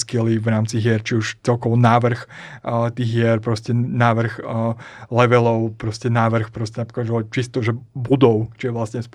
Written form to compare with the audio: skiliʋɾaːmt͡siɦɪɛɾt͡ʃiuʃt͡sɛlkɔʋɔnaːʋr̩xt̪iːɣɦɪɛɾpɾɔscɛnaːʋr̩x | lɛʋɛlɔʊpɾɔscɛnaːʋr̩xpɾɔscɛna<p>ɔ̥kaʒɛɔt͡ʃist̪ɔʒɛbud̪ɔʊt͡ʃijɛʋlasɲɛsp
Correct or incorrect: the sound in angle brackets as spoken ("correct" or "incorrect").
correct